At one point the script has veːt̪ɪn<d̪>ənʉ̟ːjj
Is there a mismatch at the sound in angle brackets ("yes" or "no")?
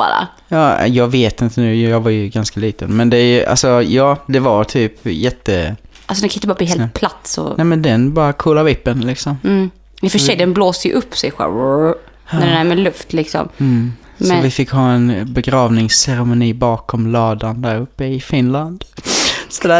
yes